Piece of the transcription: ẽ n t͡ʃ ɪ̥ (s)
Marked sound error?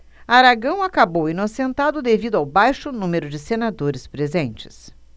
no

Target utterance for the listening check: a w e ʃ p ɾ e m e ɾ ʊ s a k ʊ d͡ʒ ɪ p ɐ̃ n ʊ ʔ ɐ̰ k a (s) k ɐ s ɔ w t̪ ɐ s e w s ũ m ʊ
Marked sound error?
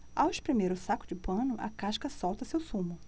yes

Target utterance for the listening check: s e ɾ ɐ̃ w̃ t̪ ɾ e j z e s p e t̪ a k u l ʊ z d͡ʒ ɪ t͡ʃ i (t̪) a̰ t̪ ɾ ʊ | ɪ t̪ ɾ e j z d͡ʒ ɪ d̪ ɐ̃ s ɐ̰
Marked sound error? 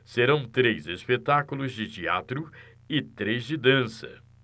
yes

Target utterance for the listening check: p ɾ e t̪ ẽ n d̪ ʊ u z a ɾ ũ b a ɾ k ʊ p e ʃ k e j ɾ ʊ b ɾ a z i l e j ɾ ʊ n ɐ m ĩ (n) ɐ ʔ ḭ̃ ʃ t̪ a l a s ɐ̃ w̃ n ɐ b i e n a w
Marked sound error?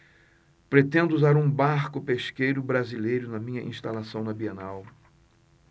yes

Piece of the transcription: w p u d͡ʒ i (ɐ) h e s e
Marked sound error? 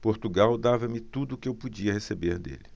no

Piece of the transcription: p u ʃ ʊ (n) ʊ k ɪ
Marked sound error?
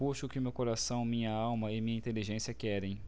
yes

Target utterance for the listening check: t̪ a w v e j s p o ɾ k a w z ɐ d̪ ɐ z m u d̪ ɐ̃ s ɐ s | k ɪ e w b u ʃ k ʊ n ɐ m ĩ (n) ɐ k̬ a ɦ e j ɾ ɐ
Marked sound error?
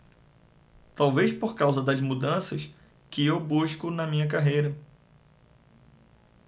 yes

